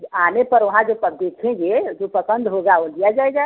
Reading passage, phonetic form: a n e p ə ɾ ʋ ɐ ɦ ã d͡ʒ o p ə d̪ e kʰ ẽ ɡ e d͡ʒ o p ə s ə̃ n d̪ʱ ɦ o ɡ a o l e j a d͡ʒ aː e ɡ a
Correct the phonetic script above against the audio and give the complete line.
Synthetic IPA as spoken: a n e p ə ɾ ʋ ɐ ɦ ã d͡ʒ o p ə d̪ e kʰ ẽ ɡ e d͡ʒ o p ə s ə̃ n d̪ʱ ɦ o ɡ a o l i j a d͡ʒ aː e ɡ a